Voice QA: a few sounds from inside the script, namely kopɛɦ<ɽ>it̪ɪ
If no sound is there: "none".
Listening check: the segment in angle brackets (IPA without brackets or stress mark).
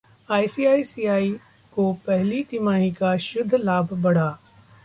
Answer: l